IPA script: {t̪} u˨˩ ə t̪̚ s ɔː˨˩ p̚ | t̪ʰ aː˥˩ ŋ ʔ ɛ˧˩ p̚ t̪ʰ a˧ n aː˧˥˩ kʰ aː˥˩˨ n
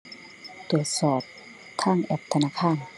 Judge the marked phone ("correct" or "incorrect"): correct